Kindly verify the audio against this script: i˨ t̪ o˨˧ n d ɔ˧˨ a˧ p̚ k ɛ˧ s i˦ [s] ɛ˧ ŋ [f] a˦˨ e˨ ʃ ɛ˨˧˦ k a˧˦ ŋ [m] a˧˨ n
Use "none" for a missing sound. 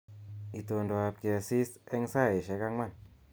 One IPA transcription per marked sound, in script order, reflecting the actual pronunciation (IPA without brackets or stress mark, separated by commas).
s, s, m